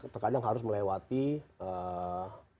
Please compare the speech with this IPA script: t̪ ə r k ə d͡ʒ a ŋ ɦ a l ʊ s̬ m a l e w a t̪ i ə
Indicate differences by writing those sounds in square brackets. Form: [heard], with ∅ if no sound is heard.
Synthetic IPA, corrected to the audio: t̪ ə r k [a] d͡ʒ a ŋ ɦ a [ɾ] ʊ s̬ m [ə] l e w a t̪ i ə